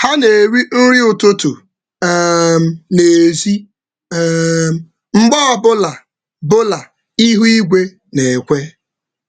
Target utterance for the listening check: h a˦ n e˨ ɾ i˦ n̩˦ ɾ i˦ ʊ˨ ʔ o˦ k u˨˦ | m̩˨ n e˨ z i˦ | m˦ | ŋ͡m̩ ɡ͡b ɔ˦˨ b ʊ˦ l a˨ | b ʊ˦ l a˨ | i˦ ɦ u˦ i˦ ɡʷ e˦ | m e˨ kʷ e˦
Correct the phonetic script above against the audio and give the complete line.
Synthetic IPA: h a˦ n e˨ ɾ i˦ n̩˦ ɾ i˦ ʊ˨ t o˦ t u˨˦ | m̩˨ n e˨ z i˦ | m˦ | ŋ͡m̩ ɡ͡b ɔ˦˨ b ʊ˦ l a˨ | b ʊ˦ l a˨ | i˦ ɦ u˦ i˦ ɡʷ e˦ | n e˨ kʷ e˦